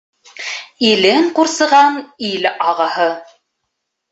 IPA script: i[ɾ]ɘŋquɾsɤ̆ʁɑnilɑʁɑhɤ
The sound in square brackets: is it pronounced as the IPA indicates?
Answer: no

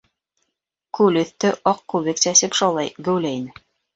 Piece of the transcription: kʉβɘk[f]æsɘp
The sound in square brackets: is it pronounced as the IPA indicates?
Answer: no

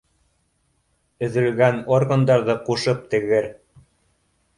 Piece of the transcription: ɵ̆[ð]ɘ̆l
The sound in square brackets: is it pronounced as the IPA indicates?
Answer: yes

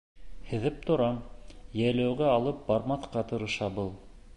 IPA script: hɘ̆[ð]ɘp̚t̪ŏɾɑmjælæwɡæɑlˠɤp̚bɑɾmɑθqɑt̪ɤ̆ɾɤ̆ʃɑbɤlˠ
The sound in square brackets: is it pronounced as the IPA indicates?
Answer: yes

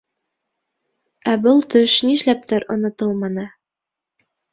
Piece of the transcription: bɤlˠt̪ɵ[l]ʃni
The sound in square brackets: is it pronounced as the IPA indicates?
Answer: no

